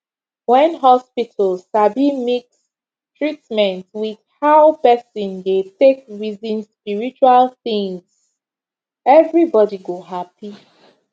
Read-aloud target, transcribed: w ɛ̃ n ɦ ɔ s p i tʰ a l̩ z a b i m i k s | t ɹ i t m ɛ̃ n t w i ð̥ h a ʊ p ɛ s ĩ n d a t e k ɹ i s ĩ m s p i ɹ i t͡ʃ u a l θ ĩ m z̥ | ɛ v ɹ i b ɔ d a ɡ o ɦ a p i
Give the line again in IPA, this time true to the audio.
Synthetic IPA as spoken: w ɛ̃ n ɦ ɔ s p i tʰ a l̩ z a b i m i k s | t ɹ i t m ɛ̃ n t w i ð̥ h a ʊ p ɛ s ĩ n d e t e k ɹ i z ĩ n s p i ɹ i t͡ʃ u a l θ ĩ ŋ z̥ | ɛ v ɹ i b ɔ d i ɡ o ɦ a p i